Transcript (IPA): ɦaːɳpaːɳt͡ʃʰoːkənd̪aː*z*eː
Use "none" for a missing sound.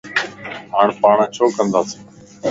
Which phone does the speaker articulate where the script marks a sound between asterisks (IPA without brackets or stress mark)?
s